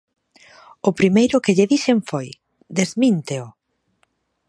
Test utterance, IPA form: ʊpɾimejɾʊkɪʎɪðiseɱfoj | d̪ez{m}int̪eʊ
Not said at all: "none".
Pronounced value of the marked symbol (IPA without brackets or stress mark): m